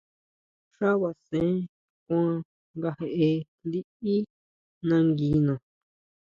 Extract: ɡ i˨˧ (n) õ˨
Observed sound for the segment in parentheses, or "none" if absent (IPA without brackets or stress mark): n